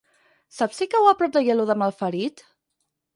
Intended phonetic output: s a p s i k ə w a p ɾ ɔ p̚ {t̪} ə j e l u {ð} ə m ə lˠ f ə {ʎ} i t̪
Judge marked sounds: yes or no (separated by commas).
no, yes, no